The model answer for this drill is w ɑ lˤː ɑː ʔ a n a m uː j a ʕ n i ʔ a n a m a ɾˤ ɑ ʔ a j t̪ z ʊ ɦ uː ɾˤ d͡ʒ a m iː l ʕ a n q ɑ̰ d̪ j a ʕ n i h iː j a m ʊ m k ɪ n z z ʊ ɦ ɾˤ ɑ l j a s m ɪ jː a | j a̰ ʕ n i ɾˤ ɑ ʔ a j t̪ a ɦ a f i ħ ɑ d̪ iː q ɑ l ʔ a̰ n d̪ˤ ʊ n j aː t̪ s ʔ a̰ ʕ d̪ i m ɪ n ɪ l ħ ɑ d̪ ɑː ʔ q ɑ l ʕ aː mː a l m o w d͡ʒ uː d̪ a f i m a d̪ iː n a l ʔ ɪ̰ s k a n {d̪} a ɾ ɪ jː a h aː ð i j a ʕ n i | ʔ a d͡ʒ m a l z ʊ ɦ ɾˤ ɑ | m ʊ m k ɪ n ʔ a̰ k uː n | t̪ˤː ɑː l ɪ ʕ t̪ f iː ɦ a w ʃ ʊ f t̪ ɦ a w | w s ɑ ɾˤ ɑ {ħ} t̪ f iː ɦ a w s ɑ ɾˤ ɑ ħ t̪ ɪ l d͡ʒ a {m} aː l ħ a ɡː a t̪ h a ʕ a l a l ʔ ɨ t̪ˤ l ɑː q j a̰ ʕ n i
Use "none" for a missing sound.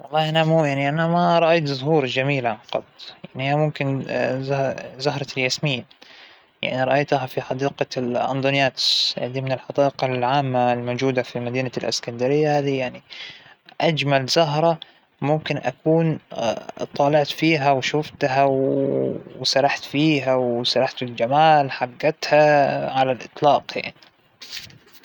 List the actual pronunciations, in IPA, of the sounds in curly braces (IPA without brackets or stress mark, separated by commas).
d̪, ħ, m